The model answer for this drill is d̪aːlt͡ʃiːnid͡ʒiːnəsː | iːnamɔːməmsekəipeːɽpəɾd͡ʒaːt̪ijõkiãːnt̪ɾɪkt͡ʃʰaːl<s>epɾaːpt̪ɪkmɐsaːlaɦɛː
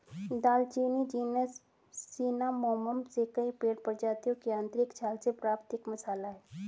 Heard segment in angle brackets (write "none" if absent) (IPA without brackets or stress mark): s